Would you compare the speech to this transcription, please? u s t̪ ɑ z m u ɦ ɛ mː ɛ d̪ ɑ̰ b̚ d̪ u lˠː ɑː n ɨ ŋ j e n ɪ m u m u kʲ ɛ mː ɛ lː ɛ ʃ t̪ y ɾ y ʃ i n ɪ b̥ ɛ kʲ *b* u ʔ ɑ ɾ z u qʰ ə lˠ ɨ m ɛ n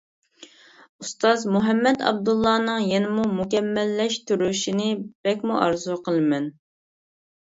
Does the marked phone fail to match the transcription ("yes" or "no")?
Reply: yes